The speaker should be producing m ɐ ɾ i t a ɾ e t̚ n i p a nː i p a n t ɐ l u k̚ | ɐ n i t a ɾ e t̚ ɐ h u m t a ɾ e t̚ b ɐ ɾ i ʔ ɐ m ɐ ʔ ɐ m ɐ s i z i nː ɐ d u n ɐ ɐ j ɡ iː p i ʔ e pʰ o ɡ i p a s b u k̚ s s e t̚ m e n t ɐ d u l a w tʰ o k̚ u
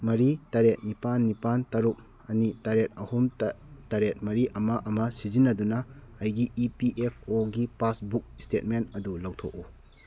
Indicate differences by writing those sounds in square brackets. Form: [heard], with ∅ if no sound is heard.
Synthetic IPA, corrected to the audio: m ɐ ɾ i t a ɾ e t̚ n i p a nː i p a n t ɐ [ɾ] u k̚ | ɐ n i t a ɾ e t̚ ɐ h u m t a ɾ e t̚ [m] ɐ ɾ i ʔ ɐ m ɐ ʔ ɐ m ɐ s i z i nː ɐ d u n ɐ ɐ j ɡ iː p i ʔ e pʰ o ɡ i p a s b u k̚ s [t] e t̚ m e n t ɐ d u l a w tʰ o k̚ u

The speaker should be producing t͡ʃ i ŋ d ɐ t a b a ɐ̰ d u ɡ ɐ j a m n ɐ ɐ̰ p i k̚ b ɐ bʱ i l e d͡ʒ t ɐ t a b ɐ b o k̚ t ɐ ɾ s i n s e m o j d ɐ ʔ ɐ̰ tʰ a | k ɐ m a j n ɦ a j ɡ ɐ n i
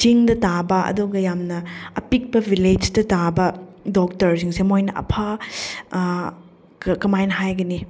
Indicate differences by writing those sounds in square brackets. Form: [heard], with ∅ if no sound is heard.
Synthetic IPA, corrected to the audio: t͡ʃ i ŋ d ɐ t a b [ɐ] ɐ̰ d u ɡ ɐ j a m n ɐ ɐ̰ p i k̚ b ɐ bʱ i l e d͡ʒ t ɐ t a b ɐ [d] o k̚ t ɐ ɾ s i [ŋ] s e m o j [n] ɐ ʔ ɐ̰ [pʰ] a | k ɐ m a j n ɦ a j ɡ ɐ n i

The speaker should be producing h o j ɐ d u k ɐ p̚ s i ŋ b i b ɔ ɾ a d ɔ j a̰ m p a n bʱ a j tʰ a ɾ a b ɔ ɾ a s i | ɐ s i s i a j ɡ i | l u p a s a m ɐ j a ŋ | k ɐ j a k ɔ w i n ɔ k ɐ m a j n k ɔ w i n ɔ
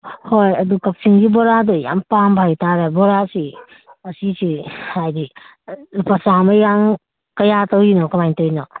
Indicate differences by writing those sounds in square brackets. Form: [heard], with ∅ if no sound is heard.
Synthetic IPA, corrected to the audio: h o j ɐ d u k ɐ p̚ s i ŋ [ɡ] i b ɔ ɾ a d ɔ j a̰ m p a [m] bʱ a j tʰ a ɾ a b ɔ ɾ a s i | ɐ s i s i a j [d] i | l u p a s a m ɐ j a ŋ | k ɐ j a [t] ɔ w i n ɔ k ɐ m a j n [t] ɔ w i n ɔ

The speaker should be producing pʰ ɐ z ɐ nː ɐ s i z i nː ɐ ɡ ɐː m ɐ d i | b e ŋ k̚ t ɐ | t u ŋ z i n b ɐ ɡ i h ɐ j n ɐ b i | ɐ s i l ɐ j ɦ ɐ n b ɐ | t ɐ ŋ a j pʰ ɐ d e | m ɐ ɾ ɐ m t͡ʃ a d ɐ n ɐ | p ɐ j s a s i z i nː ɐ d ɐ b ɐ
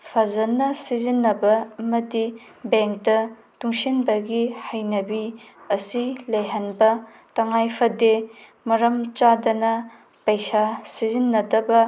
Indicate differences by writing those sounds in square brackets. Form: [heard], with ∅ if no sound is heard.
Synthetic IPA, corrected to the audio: pʰ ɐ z ɐ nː ɐ s i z i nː ɐ [b] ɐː m ɐ d i | b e ŋ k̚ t ɐ | t u ŋ [s] i n b ɐ ɡ i h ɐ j n ɐ b i | ɐ s i l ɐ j ɦ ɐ n b ɐ | t ɐ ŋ a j pʰ ɐ d e | m ɐ ɾ ɐ m t͡ʃ a d ɐ n ɐ | p ɐ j s a s i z i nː ɐ d ɐ b ɐ

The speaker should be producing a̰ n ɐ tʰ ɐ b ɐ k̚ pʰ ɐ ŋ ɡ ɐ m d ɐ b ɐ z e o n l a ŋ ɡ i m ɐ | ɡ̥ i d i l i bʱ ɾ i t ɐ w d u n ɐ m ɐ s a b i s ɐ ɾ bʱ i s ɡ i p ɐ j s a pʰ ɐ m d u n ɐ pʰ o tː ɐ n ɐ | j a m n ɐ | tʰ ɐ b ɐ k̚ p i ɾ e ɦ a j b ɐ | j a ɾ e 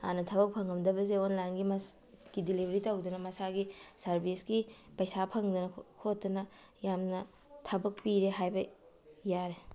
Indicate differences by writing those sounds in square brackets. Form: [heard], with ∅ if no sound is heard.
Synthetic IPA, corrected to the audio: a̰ n ɐ tʰ ɐ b ɐ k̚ pʰ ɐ ŋ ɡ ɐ m d ɐ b ɐ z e o n l a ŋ ɡ i m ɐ | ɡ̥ i d i l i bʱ ɾ i t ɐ w d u n ɐ m ɐ s a [ɡ] i s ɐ ɾ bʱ i s ɡ i p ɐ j s a pʰ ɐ [ŋ] d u n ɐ [kʰ] o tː ɐ n ɐ | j a m n ɐ | tʰ ɐ b ɐ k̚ p i ɾ e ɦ a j b ɐ | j a ɾ e

